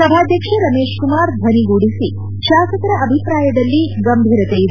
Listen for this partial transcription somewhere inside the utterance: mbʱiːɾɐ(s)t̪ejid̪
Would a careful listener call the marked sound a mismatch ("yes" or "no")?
yes